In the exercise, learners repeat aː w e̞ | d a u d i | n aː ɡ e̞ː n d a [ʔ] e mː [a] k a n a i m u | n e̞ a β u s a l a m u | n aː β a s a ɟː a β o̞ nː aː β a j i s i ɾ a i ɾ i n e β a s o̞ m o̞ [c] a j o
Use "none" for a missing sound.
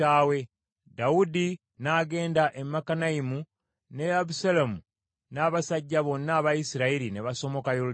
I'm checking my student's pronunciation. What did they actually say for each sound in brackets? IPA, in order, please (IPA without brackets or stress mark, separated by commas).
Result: ʔ, a, k